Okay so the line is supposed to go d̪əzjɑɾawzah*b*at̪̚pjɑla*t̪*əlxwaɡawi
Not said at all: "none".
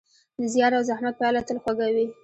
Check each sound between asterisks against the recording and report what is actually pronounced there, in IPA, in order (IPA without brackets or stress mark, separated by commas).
m, t̪